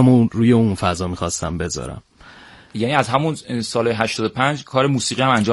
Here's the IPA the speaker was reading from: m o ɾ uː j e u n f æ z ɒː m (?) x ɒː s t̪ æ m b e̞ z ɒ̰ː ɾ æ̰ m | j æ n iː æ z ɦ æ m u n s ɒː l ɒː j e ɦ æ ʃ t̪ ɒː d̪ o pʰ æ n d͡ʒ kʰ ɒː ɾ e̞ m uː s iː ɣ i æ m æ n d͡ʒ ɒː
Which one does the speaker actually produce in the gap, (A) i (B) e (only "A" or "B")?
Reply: A